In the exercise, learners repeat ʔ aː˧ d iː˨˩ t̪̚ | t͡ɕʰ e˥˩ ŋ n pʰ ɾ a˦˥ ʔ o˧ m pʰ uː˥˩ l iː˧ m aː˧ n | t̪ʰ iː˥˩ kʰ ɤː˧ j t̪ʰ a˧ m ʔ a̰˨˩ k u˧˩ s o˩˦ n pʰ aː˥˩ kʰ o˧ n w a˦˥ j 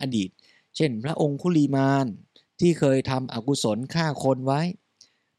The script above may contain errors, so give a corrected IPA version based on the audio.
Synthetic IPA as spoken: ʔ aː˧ d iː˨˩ t̪̚ | t͡ɕʰ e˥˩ n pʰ ɾ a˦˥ ʔ o˧ ŋ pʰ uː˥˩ l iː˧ m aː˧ n | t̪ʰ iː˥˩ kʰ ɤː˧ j t̪ʰ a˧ m ʔ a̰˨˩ k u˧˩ s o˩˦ n kʰ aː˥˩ kʰ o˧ n w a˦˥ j